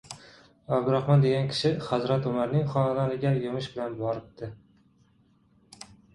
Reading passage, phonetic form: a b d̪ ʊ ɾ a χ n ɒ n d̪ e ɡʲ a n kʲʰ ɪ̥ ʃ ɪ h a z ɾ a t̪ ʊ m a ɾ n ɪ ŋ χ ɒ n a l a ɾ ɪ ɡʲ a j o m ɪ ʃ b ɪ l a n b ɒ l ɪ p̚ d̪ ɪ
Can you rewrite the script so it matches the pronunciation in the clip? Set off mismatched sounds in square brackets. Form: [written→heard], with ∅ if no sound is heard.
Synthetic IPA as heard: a b d̪ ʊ ɾ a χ [n→m] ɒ n d̪ e ɡʲ a n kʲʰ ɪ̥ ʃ ɪ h a z ɾ a t̪ ʊ m a ɾ n ɪ ŋ χ ɒ n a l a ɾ ɪ ɡʲ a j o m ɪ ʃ b ɪ l a n b ɒ [l→ɾ] ɪ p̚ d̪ ɪ